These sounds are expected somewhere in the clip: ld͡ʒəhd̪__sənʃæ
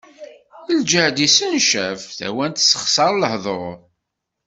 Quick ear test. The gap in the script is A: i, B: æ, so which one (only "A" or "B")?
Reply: A